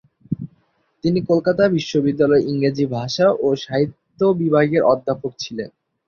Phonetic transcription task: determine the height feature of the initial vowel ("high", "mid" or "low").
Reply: high